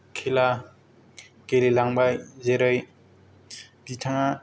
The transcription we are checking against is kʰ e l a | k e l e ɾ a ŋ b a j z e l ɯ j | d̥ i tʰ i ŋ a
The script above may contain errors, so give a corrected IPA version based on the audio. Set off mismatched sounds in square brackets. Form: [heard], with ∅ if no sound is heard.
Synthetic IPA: kʰ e l a | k e l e [l] a ŋ b a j z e [ɾ] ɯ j | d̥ i tʰ [a] ŋ a